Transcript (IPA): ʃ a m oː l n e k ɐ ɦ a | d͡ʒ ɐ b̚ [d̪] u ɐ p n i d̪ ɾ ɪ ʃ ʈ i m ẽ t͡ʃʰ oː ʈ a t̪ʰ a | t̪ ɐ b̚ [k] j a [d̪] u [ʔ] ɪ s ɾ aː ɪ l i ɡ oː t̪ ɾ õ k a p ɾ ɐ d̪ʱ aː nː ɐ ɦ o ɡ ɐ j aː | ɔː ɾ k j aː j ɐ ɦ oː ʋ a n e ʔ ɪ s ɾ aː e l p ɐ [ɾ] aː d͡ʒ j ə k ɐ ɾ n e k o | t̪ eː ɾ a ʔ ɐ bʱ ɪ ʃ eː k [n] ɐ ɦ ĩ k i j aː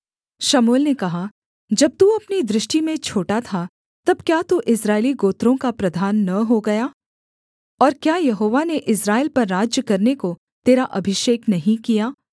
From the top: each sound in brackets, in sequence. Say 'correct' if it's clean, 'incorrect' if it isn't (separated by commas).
incorrect, correct, incorrect, correct, incorrect, correct